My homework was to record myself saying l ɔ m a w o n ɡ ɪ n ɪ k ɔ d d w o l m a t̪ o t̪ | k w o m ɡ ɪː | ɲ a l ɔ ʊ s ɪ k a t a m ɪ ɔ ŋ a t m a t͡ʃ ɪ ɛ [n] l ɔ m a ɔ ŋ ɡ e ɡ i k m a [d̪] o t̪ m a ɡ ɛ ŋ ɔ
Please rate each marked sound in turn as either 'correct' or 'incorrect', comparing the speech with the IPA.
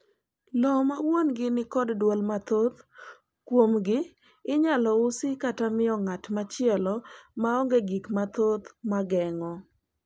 incorrect: none, incorrect: t̪

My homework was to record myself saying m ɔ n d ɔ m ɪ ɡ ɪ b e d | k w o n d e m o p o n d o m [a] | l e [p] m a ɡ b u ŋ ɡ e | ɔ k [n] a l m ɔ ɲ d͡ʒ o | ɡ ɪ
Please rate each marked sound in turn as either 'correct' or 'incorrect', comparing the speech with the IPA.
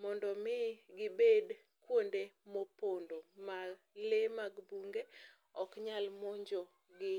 correct, incorrect: none, incorrect: ɲ

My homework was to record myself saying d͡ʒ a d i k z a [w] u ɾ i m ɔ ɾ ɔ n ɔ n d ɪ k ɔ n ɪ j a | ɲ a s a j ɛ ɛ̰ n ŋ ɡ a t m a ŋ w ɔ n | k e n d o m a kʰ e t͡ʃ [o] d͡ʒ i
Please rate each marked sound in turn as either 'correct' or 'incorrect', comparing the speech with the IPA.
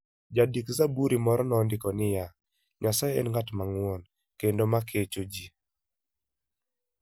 incorrect: b, correct

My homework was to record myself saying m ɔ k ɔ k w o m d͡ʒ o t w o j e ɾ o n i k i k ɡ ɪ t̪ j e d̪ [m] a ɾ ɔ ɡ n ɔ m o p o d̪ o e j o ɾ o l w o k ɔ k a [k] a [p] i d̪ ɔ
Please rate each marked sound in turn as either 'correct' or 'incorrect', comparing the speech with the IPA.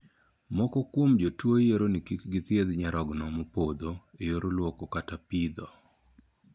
incorrect: ɲ, incorrect: t, correct

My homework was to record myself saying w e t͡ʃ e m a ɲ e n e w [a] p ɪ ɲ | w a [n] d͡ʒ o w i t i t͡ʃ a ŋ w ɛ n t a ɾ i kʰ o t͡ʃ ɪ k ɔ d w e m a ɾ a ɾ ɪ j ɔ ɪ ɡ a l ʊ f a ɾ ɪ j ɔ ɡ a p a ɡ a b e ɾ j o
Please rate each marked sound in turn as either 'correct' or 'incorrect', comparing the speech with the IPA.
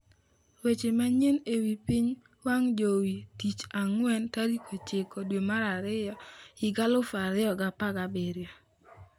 incorrect: i, incorrect: ŋ

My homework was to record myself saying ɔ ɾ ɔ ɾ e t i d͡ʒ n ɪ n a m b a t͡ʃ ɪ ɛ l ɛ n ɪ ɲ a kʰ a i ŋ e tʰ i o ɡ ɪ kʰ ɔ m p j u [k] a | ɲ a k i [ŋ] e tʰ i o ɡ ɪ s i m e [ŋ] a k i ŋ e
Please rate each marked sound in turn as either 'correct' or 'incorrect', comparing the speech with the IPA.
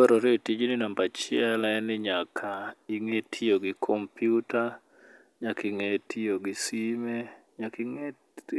incorrect: t, correct, incorrect: ɲ

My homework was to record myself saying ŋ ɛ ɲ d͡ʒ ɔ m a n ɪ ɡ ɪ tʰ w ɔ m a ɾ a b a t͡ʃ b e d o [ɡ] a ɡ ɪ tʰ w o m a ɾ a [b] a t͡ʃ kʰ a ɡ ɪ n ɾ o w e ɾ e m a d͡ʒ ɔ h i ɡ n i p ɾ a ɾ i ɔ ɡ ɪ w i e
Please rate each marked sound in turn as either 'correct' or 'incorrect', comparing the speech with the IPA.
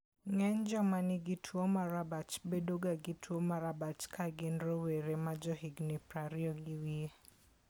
correct, correct

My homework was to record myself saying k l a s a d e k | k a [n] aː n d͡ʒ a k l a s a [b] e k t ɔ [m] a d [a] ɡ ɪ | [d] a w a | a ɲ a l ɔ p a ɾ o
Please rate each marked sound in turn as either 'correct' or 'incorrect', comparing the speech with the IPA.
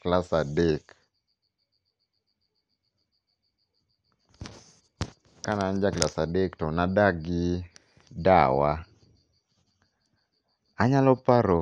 correct, incorrect: d, incorrect: n, correct, correct

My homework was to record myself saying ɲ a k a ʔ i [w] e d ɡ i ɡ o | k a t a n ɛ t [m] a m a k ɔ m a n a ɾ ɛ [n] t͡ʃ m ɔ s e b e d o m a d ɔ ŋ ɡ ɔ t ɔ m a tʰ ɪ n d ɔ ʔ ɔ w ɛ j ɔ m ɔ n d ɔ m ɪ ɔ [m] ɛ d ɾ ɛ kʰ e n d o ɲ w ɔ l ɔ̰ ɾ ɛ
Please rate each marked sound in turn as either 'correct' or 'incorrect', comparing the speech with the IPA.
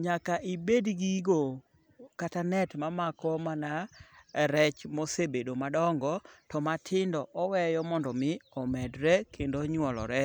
incorrect: b, correct, incorrect: none, correct

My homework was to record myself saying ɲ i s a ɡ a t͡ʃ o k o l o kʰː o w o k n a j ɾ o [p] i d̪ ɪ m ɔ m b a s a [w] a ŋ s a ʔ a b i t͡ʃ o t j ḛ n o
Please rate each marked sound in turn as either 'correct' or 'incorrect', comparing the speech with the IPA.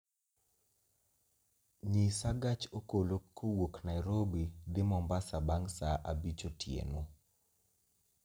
incorrect: b, incorrect: b

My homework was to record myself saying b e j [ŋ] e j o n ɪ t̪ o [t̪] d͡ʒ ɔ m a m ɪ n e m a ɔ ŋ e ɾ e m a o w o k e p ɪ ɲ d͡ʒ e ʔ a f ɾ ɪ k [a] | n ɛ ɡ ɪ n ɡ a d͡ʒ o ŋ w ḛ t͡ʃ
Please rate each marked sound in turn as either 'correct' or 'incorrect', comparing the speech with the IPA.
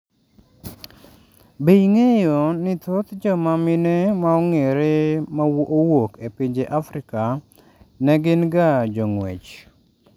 correct, correct, correct

